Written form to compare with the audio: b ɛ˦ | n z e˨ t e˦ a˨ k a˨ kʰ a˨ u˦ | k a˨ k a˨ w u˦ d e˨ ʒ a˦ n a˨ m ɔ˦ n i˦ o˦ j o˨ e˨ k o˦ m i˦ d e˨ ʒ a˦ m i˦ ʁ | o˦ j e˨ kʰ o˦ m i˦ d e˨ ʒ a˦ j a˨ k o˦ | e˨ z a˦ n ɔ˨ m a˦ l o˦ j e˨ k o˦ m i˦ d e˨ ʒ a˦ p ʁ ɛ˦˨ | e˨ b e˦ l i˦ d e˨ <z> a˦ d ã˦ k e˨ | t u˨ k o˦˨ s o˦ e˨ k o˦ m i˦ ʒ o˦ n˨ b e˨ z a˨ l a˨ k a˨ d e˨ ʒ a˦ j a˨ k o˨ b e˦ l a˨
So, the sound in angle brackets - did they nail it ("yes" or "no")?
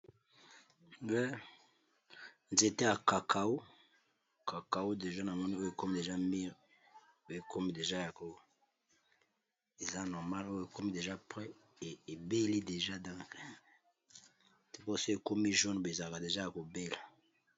no